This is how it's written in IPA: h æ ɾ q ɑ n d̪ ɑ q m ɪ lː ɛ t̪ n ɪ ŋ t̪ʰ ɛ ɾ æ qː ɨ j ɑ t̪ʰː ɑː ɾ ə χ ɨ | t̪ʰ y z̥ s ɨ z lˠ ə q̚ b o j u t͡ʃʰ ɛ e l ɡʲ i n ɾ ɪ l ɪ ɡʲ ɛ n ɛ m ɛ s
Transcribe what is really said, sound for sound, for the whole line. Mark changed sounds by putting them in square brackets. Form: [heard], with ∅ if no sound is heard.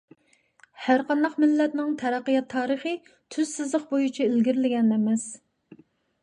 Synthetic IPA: h æ ɾ q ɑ n d̪ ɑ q m ɪ lː ɛ t̪ n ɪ ŋ t̪ʰ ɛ ɾ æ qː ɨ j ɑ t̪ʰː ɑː ɾ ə χ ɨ | t̪ʰ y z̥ s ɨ z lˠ ə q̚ b o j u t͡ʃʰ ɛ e l ɡʲ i [∅] ɾ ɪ l ɪ ɡʲ ɛ n ɛ m ɛ s

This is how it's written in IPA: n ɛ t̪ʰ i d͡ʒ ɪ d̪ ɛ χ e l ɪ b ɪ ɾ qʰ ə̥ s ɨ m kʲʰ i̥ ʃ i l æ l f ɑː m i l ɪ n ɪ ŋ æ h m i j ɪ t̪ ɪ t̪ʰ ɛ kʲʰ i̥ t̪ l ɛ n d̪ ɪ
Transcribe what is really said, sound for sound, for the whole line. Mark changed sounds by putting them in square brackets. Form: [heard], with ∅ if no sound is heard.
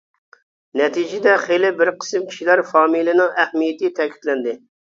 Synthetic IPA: n ɛ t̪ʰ i d͡ʒ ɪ d̪ ɛ χ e l ɪ b ɪ ɾ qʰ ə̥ s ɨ m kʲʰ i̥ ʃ i l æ [ɾ] f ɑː m i l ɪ n ɪ ŋ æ h m i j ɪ t̪ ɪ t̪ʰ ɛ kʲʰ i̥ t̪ l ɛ n d̪ ɪ

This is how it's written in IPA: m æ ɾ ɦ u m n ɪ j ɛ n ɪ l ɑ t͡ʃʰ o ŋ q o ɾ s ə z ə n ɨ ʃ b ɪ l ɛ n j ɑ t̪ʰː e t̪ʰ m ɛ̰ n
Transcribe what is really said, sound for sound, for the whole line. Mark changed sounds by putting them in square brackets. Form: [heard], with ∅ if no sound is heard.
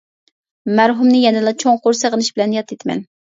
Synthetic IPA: m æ ɾ ɦ u m n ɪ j ɛ n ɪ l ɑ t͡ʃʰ o ŋ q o ɾ s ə [ʁ] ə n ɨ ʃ b ɪ l ɛ n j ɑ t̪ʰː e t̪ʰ m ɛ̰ n

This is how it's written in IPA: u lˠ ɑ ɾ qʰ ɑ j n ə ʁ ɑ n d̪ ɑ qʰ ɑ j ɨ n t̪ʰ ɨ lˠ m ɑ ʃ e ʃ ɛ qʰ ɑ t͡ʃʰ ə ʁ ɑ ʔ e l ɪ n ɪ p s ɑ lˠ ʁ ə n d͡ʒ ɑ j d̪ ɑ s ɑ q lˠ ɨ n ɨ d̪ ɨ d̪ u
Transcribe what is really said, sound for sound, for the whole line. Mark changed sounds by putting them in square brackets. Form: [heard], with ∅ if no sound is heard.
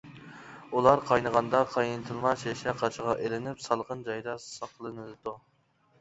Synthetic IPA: u lˠ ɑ ɾ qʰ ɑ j n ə ʁ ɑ n d̪ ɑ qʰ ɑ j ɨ n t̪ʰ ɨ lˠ m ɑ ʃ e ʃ ɛ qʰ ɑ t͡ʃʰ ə ʁ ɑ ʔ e l ɪ n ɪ p s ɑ lˠ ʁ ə n d͡ʒ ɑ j d̪ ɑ s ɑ q lˠ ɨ n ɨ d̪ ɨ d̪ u

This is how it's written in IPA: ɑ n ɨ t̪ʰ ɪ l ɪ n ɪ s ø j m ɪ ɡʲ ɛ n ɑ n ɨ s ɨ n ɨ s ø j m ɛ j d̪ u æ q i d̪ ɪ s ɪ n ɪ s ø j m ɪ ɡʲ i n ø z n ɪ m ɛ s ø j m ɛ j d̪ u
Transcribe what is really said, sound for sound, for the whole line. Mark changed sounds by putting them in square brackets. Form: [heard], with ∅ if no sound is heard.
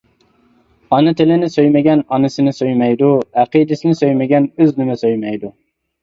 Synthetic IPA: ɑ n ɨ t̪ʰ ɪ l ɪ n ɪ s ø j m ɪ ɡʲ ɛ n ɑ n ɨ s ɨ n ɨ s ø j m ɛ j d̪ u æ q i d̪ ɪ s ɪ n ɪ s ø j m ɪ ɡʲ [ɛ] n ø z n ɪ m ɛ s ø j m ɛ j d̪ u

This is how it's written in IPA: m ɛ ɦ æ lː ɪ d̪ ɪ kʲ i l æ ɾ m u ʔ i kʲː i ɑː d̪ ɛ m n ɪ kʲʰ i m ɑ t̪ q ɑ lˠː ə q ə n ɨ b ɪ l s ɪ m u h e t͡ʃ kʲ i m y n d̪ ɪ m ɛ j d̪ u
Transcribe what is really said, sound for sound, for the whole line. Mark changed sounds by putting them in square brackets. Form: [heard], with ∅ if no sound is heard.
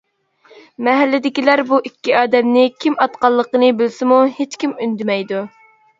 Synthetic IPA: m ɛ ɦ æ lː ɪ d̪ ɪ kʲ i l æ ɾ [b] u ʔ i kʲː i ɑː d̪ ɛ m n ɪ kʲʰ i m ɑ t̪ q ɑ lˠː ə q ə n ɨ b ɪ l s ɪ m u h e t͡ʃ kʲ i m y n d̪ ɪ m ɛ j d̪ u

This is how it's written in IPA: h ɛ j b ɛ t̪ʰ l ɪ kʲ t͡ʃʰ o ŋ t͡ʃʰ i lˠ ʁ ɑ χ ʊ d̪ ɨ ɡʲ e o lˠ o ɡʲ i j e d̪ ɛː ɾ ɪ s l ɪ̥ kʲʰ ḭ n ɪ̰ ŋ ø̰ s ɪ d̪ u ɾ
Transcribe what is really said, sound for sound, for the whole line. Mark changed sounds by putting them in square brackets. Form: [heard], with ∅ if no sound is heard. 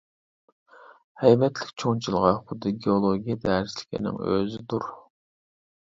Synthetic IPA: h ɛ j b ɛ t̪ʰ l ɪ kʲ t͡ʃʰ o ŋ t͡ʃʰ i lˠ ʁ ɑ χ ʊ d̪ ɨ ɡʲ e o lˠ o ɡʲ i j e d̪ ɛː ɾ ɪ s l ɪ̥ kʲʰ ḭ n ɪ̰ ŋ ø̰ [z] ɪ d̪ u ɾ

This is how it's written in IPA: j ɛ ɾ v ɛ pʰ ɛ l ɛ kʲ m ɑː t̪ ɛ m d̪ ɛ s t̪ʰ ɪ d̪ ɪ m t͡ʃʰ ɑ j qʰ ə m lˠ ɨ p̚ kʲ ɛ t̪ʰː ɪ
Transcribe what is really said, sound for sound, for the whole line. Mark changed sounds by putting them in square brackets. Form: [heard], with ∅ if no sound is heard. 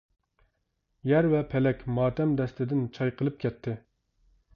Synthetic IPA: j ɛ ɾ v ɛ pʰ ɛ l ɛ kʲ m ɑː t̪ ɛ m d̪ ɛ s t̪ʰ ɪ d̪ ɪ [n] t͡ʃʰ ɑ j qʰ ə [∅] lˠ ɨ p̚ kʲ ɛ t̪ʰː ɪ

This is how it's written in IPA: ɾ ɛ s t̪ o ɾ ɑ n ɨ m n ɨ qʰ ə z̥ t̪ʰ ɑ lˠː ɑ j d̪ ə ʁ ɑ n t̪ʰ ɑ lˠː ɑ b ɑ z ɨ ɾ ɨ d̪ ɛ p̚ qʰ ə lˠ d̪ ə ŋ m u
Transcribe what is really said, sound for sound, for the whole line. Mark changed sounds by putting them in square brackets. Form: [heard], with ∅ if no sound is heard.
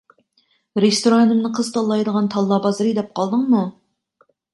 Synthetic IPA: ɾ [e] s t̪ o ɾ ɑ n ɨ m n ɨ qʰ ə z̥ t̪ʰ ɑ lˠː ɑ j d̪ ə ʁ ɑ n t̪ʰ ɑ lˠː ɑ b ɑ z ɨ ɾ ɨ d̪ ɛ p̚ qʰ [ɑ] lˠ d̪ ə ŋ m u

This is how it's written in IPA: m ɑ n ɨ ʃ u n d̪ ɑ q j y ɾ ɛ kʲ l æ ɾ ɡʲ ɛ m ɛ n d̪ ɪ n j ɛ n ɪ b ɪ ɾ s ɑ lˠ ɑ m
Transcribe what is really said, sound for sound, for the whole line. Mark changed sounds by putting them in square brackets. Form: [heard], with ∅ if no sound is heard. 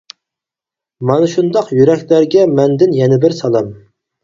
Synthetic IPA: m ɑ n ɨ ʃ u n d̪ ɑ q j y ɾ ɛ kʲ l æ ɾ ɡʲ ɛ m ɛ n d̪ ɪ n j ɛ n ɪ b ɪ ɾ s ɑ lˠ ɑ m

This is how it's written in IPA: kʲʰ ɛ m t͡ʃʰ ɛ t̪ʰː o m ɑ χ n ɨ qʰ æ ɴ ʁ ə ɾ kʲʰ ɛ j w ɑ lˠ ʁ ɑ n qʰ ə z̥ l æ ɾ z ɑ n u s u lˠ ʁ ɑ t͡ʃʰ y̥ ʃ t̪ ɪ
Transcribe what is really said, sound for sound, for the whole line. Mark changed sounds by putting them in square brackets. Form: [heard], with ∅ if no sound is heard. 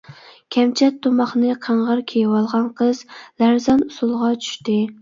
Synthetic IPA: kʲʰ ɛ m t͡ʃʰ ɛ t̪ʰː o m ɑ χ n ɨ qʰ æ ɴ ʁ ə ɾ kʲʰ [e] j w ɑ lˠ ʁ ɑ n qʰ ə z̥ l æ ɾ z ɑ n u s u lˠ ʁ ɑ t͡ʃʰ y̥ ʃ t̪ ɪ

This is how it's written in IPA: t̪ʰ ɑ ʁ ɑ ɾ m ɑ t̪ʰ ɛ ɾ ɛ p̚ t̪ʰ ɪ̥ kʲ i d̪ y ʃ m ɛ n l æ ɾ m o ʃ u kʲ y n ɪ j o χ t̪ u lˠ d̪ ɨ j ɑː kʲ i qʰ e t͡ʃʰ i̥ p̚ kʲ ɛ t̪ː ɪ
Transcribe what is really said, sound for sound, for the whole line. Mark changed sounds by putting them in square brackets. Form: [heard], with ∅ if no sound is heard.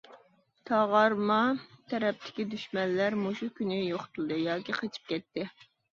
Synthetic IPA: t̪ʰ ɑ ʁ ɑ ɾ m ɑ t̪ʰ ɛ ɾ ɛ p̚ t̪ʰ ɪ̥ kʲ i d̪ y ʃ m ɛ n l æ ɾ m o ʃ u kʲ y n ɪ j o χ t̪ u lˠ d̪ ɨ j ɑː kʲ i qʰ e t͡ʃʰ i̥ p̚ kʲ ɛ t̪ː ɪ

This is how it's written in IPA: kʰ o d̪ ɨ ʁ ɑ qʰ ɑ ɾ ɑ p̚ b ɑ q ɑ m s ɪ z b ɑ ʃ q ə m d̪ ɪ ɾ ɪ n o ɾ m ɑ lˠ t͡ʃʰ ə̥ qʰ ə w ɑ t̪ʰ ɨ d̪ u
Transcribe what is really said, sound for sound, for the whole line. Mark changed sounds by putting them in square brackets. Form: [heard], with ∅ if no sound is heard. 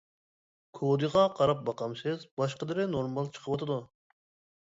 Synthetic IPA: kʰ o d̪ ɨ ʁ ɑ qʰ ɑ ɾ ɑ p̚ b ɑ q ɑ m s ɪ z b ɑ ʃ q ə [∅] d̪ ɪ ɾ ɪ n o ɾ m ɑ lˠ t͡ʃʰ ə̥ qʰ ə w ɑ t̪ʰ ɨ d̪ u

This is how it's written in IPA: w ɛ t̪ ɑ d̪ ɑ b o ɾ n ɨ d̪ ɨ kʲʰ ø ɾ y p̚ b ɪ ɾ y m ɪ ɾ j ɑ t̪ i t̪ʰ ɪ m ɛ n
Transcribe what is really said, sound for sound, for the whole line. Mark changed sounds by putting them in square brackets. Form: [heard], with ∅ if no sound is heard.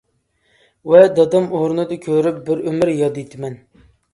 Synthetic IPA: w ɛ [d̪] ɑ d̪ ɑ [m] o ɾ n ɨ d̪ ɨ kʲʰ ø ɾ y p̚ b ɪ ɾ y m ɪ ɾ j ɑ [d̪] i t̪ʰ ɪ m ɛ n

